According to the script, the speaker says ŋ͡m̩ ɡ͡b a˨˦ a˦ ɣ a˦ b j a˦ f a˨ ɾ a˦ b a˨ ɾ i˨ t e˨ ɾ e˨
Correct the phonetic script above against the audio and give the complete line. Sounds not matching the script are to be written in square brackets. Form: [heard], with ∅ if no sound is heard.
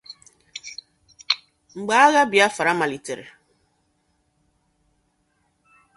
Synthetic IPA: ŋ͡m̩ ɡ͡b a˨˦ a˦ ɣ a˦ b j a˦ f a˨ ɾ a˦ [m] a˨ [l] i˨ t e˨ ɾ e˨